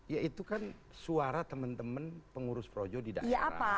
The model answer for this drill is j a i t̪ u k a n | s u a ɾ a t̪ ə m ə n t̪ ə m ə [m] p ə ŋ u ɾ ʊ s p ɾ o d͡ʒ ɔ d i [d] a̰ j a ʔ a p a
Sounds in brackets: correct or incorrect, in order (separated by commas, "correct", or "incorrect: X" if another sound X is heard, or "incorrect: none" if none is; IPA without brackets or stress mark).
incorrect: n, correct